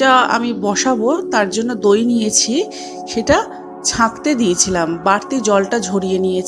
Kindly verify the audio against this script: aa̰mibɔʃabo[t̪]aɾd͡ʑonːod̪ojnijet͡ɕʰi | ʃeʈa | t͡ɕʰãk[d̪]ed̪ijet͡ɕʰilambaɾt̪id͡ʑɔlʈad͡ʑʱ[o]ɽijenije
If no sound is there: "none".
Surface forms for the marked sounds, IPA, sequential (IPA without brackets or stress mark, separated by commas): t̪, t̪, o